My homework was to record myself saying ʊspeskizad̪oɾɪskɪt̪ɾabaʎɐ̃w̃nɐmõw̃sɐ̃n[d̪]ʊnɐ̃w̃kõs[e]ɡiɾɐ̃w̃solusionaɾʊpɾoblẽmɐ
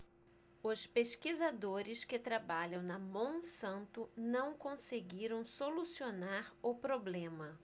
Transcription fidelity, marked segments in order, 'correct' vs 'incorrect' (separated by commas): incorrect, correct